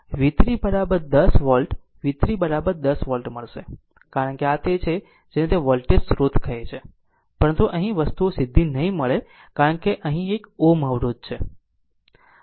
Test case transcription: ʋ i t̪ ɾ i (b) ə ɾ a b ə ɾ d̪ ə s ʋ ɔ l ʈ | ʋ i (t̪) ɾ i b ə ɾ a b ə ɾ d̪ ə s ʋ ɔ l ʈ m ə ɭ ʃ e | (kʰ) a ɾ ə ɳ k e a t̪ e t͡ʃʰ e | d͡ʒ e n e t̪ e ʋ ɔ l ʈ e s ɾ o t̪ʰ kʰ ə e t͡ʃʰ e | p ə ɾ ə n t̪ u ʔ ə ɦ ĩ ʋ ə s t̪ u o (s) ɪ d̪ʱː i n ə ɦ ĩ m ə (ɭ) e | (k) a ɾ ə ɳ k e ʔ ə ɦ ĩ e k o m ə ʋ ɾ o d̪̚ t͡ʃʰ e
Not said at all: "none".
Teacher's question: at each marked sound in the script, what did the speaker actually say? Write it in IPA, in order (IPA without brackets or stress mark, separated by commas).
b, t̪, k, s, ɭ, k